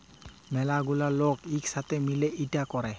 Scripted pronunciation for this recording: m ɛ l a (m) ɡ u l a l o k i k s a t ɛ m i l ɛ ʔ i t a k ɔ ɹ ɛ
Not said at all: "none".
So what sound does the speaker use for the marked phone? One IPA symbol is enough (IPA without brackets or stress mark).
none